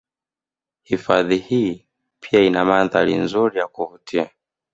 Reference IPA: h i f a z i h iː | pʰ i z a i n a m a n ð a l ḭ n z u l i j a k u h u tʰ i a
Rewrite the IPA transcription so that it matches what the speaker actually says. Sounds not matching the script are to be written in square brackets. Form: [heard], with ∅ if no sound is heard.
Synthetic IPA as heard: h i f a [ð] i h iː | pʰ i [∅] a i n a m a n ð a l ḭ n z u [ɾ] i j a k u h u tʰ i a